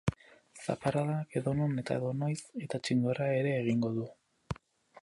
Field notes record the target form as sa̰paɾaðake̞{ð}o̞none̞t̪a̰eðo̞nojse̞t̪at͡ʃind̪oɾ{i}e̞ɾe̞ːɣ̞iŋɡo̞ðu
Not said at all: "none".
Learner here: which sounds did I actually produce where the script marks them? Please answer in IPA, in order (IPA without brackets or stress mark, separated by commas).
ð, a